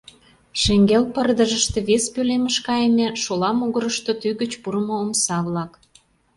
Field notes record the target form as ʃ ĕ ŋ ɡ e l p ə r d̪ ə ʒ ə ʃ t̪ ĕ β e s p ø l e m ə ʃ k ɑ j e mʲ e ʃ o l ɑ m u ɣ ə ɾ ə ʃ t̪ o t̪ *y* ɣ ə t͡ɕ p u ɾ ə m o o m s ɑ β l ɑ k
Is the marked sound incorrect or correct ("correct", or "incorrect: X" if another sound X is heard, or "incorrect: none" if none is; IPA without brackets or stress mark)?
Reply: correct